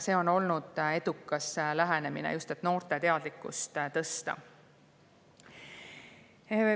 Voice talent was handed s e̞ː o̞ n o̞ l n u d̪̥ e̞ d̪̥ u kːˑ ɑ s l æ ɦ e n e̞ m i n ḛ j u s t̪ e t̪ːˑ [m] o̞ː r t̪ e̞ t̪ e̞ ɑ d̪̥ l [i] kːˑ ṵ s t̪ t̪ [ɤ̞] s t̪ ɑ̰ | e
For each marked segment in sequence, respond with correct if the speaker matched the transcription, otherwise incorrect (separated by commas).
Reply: incorrect, correct, correct